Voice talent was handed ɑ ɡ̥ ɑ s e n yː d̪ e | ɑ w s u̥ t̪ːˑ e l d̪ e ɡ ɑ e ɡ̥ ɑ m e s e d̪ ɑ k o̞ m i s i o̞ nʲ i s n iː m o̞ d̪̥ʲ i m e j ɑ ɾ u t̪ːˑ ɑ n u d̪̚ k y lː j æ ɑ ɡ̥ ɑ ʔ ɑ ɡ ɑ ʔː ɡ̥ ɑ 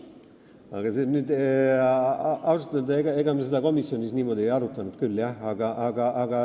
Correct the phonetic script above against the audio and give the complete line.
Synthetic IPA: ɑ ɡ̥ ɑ s e n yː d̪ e | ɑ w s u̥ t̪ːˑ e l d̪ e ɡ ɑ e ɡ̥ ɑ m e s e d̪ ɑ k o̞ m i s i o̞ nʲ i s n iː m o̞ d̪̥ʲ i e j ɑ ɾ u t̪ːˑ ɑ n u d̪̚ k y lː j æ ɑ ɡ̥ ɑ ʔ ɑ ɡ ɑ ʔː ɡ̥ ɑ